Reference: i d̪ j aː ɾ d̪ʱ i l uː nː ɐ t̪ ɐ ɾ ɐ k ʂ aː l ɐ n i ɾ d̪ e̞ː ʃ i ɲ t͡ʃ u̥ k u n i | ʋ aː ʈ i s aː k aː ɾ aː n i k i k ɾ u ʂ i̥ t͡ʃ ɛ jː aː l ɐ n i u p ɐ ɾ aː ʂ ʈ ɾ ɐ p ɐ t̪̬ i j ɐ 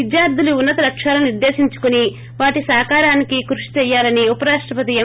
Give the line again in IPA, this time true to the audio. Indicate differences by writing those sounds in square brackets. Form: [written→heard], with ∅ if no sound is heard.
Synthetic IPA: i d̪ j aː ɾ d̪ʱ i l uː nː ɐ t̪ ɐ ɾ ɐ k ʂ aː l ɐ n i ɾ d̪ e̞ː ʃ i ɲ t͡ʃ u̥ k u n i | ʋ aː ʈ i s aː k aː ɾ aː n i k i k ɾ u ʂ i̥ t͡ʃ ɛ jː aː l ɐ n i u p ɐ ɾ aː ʂ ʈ ɾ ɐ p ɐ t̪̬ i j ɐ